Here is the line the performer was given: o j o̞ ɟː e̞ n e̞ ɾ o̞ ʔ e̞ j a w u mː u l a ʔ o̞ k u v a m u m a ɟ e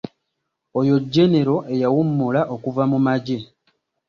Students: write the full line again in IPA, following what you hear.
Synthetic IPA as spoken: o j o̞ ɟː e̞ n e̞ ɾ o̞ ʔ e̞ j a w u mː u l a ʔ o̞ k u v a m u m a ɟ e